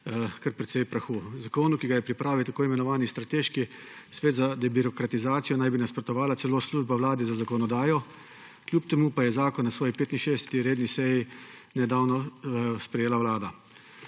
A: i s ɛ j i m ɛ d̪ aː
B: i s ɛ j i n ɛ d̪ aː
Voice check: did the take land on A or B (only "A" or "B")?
B